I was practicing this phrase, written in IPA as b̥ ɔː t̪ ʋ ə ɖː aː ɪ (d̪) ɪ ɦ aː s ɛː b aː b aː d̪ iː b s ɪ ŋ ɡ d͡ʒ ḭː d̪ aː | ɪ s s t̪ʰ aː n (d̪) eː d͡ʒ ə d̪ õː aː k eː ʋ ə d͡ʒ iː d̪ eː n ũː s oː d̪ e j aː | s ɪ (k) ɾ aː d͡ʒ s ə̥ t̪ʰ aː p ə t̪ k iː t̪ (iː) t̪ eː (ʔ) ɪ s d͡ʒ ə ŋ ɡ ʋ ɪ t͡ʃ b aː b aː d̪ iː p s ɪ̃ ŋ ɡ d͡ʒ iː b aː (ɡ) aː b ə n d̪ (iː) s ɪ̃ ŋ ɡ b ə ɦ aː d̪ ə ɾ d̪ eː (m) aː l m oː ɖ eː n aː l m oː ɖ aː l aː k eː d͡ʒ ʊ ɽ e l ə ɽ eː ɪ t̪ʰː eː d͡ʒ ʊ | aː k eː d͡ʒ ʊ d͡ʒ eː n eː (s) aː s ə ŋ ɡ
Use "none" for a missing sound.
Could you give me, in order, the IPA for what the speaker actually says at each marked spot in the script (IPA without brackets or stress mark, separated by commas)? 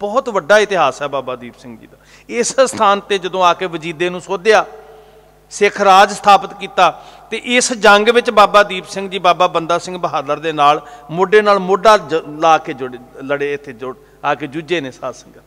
t̪, t̪, kʰ, aː, ʔ, b, aː, n, s